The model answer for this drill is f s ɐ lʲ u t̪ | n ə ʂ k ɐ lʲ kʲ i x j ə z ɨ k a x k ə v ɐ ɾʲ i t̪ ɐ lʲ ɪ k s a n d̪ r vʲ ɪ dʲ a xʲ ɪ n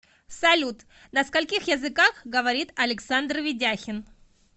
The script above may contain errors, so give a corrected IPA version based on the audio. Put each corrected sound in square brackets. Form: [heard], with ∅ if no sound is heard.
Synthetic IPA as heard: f s ɐ lʲ u t̪ | n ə [s] k ɐ lʲ kʲ i x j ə z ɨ k a x [ɡ] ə v ɐ ɾʲ i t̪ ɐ lʲ ɪ k s a n d̪ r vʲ ɪ dʲ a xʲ ɪ n